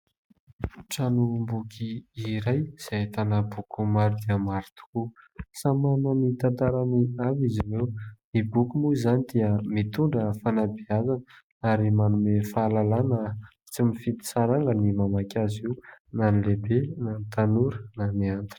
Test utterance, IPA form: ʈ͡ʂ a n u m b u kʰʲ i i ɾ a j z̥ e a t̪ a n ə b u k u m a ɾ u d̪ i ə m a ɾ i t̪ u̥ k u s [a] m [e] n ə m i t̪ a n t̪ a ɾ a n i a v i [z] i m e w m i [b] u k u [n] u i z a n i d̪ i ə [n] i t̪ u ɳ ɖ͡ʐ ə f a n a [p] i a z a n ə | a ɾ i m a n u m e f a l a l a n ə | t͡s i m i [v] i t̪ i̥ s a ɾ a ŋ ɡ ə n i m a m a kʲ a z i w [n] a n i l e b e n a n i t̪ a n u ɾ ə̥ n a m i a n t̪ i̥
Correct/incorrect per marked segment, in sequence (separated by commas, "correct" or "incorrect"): correct, incorrect, correct, correct, incorrect, incorrect, incorrect, incorrect, correct